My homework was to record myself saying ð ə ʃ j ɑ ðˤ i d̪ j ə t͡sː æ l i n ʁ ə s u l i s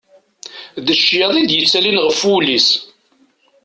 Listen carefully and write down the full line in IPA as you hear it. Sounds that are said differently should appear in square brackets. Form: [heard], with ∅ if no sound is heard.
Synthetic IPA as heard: ð ə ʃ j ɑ ðˤ i d̪ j ə t͡sː æ l i n ʁ ə [f] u l i s